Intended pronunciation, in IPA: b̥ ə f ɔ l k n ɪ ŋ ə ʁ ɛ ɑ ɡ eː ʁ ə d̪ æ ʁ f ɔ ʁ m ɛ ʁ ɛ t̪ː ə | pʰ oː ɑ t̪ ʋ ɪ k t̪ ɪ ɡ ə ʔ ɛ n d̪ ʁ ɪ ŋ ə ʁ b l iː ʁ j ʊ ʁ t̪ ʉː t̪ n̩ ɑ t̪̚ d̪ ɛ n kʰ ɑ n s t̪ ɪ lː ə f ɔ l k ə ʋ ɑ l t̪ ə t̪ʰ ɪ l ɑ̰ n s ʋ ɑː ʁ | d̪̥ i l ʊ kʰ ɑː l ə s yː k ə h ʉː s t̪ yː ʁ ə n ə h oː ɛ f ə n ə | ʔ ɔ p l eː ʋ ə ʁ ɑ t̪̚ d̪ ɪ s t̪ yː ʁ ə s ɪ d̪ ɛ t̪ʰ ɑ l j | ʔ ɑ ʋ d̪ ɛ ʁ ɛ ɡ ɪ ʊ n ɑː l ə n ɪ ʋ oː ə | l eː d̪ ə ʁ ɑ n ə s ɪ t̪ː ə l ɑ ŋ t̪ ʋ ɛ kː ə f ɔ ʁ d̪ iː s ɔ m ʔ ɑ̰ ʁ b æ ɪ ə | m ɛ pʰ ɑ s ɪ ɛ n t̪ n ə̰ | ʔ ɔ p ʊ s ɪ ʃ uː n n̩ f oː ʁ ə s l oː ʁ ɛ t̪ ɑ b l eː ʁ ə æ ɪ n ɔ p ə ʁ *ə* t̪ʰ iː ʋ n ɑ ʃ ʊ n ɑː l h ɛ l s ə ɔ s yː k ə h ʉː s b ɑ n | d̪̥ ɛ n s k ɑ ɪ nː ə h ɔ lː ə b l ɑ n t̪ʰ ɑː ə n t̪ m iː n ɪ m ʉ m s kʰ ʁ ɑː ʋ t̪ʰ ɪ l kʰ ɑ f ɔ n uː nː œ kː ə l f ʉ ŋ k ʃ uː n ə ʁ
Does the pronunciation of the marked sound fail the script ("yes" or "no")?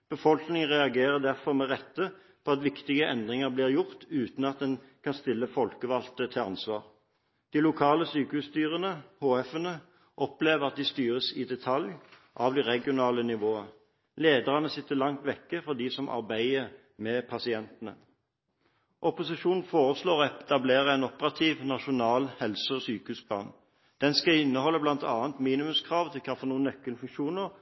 yes